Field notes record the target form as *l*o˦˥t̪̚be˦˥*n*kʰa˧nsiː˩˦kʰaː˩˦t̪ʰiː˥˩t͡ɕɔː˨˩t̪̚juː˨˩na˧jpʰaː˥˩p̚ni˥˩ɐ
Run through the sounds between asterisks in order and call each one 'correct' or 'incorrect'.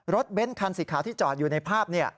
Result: incorrect, correct

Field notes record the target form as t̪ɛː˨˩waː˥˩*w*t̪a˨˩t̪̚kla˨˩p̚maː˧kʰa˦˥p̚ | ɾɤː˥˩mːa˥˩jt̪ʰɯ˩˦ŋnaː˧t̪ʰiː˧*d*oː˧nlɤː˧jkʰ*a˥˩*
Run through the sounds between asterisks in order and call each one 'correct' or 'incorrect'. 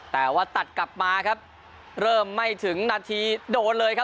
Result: incorrect, correct, incorrect

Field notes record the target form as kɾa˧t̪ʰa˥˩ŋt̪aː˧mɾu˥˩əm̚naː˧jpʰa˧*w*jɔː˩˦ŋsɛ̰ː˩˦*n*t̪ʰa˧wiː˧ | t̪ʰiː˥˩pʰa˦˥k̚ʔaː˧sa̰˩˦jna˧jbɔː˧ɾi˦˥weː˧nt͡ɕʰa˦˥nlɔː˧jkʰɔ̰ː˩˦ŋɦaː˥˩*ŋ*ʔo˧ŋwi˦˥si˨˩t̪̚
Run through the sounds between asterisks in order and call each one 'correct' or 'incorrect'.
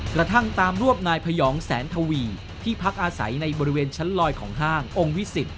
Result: incorrect, correct, correct

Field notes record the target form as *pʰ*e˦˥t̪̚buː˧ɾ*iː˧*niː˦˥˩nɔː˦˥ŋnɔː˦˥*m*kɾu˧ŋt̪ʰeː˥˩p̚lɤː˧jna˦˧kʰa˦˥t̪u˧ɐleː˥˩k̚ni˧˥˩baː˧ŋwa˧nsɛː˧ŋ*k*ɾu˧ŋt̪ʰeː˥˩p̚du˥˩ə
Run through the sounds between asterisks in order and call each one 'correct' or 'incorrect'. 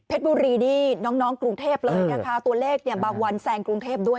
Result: correct, correct, incorrect, correct

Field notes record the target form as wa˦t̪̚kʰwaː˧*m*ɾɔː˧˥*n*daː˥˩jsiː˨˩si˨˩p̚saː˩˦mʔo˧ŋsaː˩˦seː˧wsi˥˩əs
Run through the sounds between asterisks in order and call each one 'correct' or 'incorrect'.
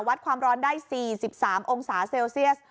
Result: correct, correct

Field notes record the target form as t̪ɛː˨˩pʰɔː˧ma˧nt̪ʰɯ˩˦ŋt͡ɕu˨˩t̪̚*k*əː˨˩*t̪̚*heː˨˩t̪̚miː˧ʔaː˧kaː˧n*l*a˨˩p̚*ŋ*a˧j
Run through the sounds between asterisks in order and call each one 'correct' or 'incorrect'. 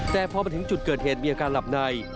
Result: correct, correct, correct, incorrect

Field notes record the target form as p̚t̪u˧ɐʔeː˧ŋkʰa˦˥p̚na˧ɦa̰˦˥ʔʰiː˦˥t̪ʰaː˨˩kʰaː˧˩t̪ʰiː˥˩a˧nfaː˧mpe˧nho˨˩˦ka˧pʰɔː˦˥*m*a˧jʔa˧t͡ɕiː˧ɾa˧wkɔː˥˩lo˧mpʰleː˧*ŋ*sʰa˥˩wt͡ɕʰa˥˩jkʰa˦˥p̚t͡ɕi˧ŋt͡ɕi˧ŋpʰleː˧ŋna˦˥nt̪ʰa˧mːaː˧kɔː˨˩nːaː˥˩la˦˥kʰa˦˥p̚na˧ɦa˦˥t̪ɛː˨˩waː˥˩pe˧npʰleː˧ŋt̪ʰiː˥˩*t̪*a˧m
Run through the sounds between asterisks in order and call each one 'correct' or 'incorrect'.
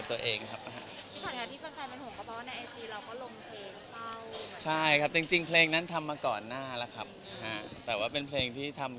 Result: incorrect, correct, incorrect

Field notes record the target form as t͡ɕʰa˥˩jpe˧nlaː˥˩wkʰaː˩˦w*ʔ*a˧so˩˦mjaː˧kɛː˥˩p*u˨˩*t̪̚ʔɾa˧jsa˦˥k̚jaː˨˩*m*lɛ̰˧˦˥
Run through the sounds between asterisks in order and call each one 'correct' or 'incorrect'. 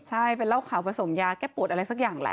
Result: incorrect, correct, incorrect

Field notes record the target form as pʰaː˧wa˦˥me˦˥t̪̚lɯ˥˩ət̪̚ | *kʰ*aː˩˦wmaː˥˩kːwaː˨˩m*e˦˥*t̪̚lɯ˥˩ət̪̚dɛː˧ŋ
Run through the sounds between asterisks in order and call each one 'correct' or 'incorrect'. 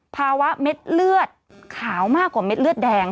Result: correct, correct

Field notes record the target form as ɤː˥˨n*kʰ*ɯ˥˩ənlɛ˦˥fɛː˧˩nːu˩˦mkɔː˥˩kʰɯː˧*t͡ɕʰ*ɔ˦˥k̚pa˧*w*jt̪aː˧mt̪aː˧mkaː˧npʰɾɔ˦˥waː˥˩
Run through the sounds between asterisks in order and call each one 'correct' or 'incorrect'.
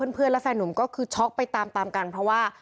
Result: incorrect, correct, incorrect

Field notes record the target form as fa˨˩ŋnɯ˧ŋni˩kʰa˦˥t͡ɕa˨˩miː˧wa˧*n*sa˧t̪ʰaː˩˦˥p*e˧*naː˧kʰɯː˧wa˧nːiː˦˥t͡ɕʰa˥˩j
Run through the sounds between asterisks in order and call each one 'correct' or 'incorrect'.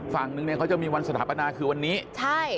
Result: correct, incorrect

